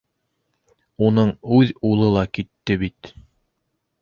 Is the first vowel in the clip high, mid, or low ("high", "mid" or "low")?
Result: high